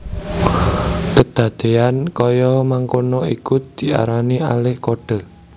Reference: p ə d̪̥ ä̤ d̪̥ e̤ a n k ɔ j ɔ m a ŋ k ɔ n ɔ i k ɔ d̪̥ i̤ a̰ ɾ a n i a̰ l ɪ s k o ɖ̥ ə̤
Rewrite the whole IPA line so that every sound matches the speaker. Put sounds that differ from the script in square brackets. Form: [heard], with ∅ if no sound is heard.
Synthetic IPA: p ə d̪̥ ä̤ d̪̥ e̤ a n k ɔ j ɔ m a ŋ k [o] n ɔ i k [u] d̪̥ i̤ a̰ ɾ a n i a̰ l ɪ [h] k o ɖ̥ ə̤